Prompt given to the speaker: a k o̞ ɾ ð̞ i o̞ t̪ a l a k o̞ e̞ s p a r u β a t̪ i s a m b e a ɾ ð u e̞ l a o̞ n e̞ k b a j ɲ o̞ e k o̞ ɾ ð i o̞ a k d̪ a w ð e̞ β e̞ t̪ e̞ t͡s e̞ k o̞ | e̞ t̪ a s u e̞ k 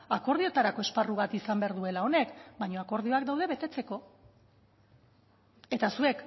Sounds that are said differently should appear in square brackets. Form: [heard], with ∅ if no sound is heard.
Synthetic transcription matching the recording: a k o̞ ɾ ð̞ i o̞ t̪ a [ɾ] a k o̞ e̞ s p a r u β a t̪ i s a m b e a ɾ ð u e̞ l a o̞ n e̞ k b a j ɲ o̞ [a] k o̞ ɾ ð i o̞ a k d̪ a w ð e̞ β e̞ t̪ e̞ t͡s e̞ k o̞ | e̞ t̪ a s u e̞ k